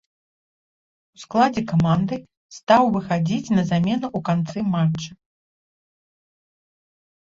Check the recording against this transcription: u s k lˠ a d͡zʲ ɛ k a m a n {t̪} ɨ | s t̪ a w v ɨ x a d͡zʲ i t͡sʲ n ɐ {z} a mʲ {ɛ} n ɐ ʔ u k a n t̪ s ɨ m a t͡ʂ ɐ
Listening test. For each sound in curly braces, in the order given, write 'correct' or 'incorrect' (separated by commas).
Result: incorrect, correct, correct